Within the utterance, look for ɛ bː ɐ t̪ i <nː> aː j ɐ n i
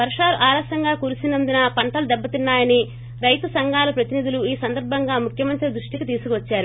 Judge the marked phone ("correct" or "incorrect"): correct